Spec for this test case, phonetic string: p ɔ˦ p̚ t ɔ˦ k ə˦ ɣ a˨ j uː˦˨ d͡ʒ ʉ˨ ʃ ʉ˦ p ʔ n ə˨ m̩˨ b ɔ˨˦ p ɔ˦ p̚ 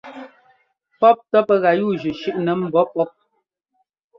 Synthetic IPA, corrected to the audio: p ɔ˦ p̚ t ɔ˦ p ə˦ ɣ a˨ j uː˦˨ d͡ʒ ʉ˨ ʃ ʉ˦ ʔ n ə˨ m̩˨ b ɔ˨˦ p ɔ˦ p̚